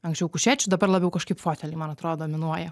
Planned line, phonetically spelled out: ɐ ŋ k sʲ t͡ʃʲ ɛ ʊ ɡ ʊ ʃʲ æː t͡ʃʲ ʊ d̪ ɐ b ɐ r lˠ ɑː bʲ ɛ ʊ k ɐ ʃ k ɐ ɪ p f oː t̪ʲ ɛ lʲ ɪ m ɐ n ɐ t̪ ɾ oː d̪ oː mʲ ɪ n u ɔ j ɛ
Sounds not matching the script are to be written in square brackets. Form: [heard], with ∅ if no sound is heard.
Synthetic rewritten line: ɐ ŋ k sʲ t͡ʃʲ ɛ ʊ [k] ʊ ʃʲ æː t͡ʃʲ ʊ d̪ ɐ b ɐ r lˠ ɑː bʲ ɛ ʊ k ɐ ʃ k ɐ ɪ p f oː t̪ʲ ɛ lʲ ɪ m ɐ n ɐ t̪ ɾ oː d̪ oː mʲ ɪ n u ɔ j ɛ